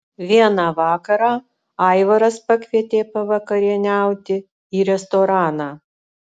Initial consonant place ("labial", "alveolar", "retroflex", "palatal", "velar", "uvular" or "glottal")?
labial